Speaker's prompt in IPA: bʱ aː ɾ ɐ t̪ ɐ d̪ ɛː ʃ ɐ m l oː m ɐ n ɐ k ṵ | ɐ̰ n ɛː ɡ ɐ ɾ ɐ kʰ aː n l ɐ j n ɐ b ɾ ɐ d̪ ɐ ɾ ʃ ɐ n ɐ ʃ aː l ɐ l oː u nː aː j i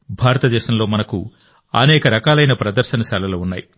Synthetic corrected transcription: bʱ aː ɾ ɐ t̪ ɐ d̪ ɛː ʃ ɐ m l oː m ɐ n ɐ k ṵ | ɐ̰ n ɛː k ɐ ɾ ɐ k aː l ɐ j n ɐ p ɾ ɐ d̪ ɐ ɾ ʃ ɐ n ɐ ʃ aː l ɐ l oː u nː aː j i